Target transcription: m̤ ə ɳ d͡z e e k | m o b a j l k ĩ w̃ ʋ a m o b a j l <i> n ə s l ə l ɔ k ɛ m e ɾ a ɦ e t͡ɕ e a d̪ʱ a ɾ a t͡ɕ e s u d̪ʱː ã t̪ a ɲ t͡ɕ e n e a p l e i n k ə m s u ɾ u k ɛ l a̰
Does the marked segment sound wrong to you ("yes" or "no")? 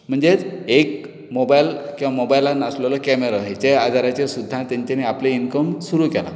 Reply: yes